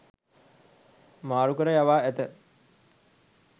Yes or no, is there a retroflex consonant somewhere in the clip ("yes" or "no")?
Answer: no